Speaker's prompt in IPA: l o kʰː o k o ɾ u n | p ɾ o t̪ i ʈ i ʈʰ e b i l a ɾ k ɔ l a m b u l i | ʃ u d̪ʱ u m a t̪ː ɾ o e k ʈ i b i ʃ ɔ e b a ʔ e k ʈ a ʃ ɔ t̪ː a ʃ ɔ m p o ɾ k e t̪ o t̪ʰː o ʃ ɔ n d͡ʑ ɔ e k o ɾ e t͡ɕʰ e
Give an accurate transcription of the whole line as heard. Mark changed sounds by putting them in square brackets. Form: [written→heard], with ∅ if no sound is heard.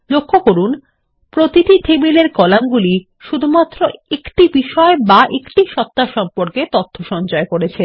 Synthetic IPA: l o kʰː o k o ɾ u n | p ɾ o t̪ i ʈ i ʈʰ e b i l [a→e] ɾ k ɔ l a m [b→ɡ] u l i | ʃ u d̪ʱ u m a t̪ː ɾ o e k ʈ i b i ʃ ɔ e b a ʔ e k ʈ [a→i] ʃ ɔ t̪ː a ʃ ɔ m p o ɾ k e t̪ o t̪ʰː o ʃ ɔ n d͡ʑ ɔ e k o ɾ e t͡ɕʰ e

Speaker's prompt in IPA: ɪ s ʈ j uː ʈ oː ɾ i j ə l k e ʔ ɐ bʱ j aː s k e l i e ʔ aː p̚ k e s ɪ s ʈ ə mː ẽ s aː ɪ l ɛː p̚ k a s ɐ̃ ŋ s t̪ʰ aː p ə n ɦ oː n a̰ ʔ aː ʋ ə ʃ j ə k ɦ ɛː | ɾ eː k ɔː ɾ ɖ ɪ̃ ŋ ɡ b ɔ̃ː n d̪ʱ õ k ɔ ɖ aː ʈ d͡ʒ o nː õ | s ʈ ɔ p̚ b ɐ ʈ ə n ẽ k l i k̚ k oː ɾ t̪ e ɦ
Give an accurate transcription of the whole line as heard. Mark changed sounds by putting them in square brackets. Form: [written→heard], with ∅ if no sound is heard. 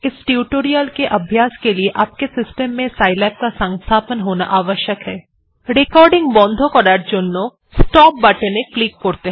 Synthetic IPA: ɪ s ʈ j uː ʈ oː ɾ i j ə l k e ʔ ɐ bʱ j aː s k e l i e ʔ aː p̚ k e s ɪ s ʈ ə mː ẽ s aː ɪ l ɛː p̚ k a s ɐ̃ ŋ s t̪ʰ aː p ə n ɦ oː n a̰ ʔ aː ʋ ə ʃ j ə k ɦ ɛː | ɾ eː k ɔː ɾ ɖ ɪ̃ ŋ ɡ b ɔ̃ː n d̪ʱ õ k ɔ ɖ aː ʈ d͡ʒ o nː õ | s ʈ [ɔ→ɔː] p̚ b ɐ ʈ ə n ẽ k l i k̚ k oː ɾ t̪ e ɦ

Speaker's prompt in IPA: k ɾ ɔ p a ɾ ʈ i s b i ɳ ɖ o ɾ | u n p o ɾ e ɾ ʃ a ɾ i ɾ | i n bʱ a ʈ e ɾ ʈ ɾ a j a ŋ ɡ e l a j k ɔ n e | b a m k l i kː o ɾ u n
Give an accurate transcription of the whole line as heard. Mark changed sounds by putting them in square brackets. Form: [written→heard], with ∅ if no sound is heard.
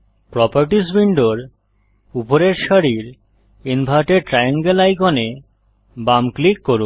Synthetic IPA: [k→p] ɾ ɔ p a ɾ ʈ i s b i ɳ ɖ o ɾ | u [n→∅] p o ɾ e ɾ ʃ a ɾ i ɾ | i n bʱ a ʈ e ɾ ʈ ɾ a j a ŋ ɡ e l a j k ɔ n e | b a m k l i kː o ɾ u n

